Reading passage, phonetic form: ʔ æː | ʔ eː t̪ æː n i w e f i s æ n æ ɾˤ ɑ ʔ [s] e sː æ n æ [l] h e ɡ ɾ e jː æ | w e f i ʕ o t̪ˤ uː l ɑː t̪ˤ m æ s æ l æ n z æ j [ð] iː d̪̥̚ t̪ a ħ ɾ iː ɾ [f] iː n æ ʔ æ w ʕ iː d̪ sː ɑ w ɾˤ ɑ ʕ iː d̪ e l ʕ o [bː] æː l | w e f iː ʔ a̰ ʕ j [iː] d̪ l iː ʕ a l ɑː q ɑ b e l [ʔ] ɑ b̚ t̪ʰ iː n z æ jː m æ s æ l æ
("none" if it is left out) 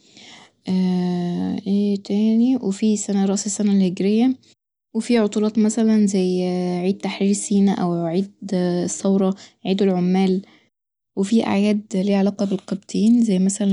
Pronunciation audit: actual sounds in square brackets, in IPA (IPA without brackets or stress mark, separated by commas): s, l, ʕ, s, mː, æː, q